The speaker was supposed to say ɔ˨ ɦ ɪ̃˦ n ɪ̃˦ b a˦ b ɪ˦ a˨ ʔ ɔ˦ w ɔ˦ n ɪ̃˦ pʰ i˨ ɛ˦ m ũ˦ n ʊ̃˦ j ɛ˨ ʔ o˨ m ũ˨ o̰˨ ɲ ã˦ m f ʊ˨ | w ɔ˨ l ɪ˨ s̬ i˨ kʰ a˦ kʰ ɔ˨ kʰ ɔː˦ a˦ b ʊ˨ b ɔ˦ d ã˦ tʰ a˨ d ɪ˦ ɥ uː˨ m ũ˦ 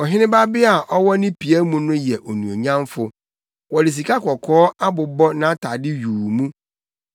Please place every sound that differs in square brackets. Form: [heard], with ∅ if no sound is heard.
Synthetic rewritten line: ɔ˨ ɦ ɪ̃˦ n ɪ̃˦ b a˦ b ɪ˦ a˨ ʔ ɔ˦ w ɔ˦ n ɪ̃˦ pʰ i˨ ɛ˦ m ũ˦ n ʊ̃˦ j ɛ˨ ʔ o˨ [n] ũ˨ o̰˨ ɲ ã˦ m f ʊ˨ | w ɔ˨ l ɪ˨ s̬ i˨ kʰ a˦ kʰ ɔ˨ kʰ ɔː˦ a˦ b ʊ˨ b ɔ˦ [n] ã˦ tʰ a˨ d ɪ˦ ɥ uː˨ m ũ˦